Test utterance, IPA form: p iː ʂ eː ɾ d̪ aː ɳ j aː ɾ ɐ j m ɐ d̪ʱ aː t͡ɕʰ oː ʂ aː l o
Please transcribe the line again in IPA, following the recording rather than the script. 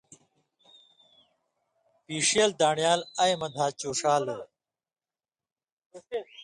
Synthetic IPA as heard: p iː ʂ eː l d̪ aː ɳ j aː l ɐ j m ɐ d̪ʱ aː t͡ɕ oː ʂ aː l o